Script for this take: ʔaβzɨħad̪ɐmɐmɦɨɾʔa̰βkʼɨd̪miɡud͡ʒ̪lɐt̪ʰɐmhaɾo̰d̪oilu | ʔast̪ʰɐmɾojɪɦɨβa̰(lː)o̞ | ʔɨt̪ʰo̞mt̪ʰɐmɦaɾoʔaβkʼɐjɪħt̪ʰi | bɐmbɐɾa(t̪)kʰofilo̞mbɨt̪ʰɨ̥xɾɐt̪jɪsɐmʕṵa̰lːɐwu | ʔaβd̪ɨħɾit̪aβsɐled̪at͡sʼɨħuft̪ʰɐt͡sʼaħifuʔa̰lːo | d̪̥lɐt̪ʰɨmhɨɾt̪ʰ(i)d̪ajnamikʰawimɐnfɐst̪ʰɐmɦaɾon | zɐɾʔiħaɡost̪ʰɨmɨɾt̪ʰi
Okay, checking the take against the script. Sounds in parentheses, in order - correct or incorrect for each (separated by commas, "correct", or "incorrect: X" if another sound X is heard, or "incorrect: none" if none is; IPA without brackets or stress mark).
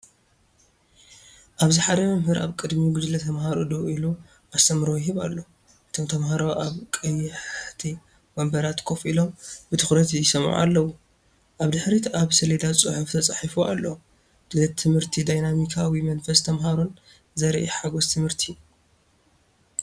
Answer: correct, correct, correct